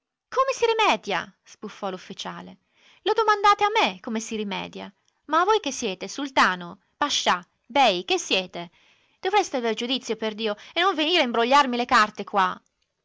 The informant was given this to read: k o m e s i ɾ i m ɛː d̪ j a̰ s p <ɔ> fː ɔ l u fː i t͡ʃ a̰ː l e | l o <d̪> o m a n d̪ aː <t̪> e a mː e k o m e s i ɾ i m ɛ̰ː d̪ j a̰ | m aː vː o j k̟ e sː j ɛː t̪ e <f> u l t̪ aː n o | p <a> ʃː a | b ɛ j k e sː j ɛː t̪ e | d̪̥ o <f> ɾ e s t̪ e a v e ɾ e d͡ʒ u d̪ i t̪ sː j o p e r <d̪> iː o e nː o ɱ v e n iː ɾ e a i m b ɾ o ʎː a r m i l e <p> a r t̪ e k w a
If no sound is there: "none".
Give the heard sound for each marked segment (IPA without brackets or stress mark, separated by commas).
u, d̪, t̪, s, a, v, d̪, k